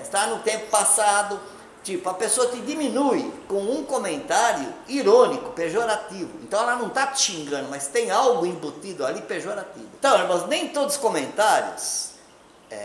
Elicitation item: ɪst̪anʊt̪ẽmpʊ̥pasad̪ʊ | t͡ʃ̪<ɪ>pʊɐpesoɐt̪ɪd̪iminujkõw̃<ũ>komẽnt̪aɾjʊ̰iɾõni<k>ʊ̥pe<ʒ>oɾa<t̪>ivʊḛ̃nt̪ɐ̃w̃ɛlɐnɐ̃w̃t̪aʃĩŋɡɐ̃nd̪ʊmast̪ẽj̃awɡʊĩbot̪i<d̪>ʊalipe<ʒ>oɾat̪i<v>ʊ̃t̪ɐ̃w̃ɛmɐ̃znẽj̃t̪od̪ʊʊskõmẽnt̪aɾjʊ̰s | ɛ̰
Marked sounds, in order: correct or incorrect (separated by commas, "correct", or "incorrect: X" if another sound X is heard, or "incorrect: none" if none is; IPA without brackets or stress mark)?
incorrect: i, correct, correct, correct, correct, correct, correct, correct